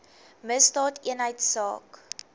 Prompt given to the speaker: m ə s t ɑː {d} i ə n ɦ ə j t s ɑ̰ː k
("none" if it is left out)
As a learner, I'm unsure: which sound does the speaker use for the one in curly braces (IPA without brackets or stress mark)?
t